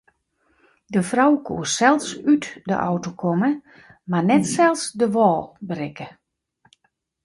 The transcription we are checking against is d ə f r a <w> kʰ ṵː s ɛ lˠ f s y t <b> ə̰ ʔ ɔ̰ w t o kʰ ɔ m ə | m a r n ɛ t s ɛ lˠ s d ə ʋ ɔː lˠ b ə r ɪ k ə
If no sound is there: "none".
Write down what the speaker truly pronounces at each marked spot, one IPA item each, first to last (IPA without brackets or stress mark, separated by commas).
w, d